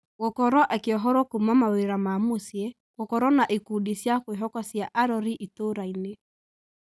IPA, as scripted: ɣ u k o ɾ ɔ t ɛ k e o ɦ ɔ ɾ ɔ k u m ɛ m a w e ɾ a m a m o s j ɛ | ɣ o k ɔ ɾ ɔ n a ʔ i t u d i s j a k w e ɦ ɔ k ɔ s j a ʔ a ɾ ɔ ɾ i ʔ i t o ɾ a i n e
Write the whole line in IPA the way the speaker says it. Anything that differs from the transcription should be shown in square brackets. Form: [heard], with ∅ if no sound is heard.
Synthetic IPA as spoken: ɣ [o] k [ɔ] ɾ ɔ [ʔ] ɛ k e [ɔ] ɦ ɔ ɾ ɔ k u m [a] m a w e ɾ a m a m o s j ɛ | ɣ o k ɔ ɾ ɔ n a ʔ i [k] u d i s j a k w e ɦ ɔ k ɔ s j a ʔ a ɾ ɔ ɾ i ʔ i t o ɾ a i n e